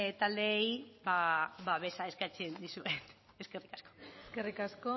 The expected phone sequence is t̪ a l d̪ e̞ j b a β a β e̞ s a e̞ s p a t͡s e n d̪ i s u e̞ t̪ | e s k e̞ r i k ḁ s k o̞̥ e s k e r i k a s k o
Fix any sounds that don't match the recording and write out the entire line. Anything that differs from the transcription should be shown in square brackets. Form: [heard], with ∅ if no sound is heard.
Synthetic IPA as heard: t̪ a l d̪ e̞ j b a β a β e̞ s a e̞ s [k] a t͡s e n d̪ i s u e̞ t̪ | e s k e̞ r i k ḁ s k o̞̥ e s k e r i k a s k o